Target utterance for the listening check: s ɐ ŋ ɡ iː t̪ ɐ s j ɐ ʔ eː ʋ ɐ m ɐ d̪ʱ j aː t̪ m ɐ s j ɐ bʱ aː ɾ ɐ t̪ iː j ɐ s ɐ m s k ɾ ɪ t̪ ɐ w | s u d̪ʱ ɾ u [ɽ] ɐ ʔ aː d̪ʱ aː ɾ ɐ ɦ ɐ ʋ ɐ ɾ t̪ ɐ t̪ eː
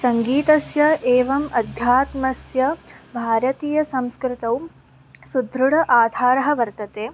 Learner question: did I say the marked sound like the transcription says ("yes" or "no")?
yes